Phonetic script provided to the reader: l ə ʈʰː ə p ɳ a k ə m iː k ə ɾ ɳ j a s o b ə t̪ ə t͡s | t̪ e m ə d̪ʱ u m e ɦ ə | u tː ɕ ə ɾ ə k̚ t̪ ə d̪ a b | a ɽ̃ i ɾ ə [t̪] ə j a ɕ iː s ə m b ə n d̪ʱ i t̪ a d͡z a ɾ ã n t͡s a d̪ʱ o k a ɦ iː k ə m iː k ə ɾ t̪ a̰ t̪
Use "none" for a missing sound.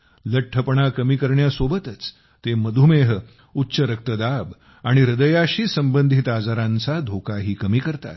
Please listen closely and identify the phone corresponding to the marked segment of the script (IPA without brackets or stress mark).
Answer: d̪